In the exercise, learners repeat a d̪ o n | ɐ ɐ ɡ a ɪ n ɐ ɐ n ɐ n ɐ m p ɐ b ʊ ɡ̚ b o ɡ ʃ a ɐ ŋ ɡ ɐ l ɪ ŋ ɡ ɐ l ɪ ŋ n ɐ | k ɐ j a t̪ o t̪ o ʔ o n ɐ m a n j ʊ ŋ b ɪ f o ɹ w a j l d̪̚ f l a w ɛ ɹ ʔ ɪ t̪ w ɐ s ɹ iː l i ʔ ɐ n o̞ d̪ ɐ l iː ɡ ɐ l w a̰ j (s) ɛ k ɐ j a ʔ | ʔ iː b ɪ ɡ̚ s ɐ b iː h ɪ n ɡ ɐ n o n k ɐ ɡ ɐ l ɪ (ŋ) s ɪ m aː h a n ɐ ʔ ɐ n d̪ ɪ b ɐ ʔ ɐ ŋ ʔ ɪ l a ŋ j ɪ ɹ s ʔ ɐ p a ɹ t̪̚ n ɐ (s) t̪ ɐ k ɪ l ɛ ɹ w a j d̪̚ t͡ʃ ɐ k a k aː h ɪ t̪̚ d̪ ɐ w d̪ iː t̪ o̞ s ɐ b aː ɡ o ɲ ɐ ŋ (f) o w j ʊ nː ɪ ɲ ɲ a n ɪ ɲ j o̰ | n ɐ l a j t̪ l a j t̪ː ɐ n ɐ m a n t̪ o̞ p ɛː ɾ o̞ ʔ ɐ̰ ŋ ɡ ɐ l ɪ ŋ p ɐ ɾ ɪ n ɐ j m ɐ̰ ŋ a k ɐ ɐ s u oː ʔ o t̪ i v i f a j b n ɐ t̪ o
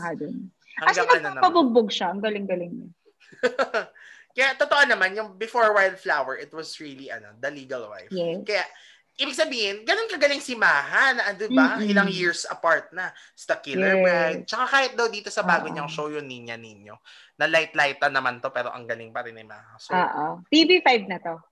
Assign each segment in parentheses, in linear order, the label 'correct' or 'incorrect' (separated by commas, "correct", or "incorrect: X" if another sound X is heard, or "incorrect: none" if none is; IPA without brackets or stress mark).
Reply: incorrect: f, correct, correct, incorrect: ʃ